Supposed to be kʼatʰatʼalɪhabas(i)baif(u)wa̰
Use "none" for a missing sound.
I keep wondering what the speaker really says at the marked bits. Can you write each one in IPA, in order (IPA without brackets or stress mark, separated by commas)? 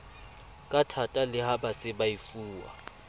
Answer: ɪ, uː